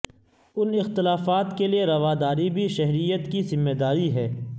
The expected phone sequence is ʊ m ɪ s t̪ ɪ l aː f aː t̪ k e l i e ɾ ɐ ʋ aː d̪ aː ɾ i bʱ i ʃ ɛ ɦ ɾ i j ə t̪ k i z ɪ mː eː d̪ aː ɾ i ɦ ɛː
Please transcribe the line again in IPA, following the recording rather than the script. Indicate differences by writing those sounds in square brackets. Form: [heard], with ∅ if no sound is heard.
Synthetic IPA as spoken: ʊ [n] ɪ [x] t̪ ɪ l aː f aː t̪ k e l i e ɾ ɐ ʋ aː d̪ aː ɾ i bʱ i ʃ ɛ ɦ ɾ i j ə t̪ k i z ɪ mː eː d̪ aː ɾ i ɦ ɛː